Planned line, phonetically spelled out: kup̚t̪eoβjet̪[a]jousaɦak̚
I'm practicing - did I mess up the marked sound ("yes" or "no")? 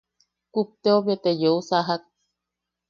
yes